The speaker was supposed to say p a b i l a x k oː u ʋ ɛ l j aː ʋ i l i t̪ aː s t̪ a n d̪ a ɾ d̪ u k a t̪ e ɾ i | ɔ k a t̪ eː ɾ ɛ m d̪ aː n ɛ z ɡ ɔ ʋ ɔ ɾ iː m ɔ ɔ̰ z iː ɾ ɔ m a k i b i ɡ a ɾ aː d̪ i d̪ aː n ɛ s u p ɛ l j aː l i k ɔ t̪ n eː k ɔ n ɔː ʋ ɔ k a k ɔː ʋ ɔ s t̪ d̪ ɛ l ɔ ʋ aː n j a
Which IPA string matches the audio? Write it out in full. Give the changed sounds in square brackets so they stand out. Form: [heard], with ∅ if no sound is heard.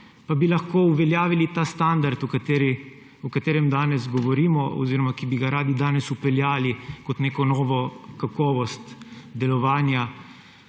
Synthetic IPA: p a b i l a x k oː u ʋ ɛ l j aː ʋ i l i t̪ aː s t̪ a n d̪ a ɾ [t̪] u k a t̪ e ɾ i | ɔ k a t̪ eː ɾ ɛ m d̪ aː n ɛ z ɡ ɔ ʋ ɔ ɾ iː m ɔ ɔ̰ z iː ɾ ɔ m a k i b i ɡ a ɾ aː d̪ i d̪ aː n ɛ s u p ɛ l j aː l i k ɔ t̪ n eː k ɔ n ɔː ʋ ɔ k a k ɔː ʋ ɔ s t̪ d̪ ɛ l ɔ ʋ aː n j a